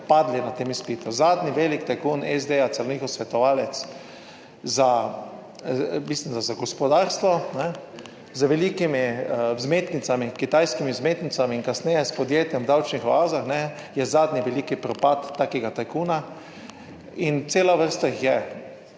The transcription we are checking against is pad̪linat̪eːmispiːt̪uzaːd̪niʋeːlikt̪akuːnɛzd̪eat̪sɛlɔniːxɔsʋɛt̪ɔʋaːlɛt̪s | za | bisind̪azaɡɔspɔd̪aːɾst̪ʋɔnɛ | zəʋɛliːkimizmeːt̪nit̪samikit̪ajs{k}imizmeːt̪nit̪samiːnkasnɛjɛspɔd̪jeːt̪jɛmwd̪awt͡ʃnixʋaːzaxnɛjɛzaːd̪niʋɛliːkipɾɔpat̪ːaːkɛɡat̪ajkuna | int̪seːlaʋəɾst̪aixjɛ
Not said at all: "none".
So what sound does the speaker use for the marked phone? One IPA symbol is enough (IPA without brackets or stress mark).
k